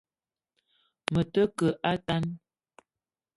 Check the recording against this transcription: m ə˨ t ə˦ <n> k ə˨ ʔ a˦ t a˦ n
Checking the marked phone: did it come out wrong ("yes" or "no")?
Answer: yes